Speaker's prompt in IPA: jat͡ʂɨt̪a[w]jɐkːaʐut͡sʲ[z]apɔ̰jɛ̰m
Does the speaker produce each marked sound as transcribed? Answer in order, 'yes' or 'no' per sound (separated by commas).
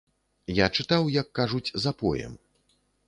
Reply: yes, yes